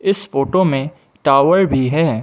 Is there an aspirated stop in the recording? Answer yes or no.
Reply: no